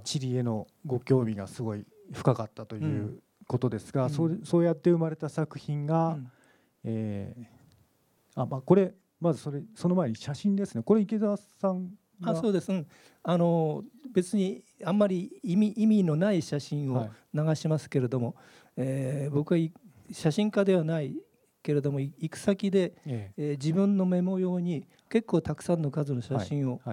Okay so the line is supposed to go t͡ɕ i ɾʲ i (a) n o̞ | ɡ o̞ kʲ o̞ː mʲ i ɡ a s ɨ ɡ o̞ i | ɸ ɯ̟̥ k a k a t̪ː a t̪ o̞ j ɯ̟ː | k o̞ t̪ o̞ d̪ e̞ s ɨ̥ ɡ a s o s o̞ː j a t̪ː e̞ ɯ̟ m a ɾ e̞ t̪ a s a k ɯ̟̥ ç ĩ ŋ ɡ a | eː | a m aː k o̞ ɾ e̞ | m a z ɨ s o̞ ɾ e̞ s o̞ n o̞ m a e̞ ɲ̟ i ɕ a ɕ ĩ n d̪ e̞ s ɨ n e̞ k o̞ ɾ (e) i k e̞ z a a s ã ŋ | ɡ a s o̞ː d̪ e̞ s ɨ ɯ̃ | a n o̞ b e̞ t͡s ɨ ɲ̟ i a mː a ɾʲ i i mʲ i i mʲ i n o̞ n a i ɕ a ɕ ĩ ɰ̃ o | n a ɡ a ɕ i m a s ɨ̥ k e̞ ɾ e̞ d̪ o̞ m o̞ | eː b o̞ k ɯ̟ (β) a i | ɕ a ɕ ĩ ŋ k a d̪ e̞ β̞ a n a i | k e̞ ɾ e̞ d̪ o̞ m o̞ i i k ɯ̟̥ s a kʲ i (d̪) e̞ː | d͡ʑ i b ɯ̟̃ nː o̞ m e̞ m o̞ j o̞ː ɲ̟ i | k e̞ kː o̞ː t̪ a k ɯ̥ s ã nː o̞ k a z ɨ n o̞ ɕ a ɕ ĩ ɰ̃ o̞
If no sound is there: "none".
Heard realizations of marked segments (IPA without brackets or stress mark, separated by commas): e, e, β, d̪